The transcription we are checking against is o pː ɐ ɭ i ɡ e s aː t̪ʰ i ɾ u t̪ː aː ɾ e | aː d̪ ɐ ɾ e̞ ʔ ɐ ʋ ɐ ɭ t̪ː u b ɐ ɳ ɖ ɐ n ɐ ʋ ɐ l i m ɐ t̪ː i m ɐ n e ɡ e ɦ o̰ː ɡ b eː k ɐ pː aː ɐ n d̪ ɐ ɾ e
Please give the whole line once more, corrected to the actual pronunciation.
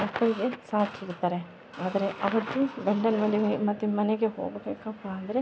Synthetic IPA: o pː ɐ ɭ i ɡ e s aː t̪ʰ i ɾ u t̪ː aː ɾ e | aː d̪ ɐ ɾ e̞ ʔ ɐ ʋ ɐ t̪ː u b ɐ ɳ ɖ ɐ n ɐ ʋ ɐ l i m ɐ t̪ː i m ɐ n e ɡ e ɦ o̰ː ɡ b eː k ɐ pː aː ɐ n d̪ ɐ ɾ e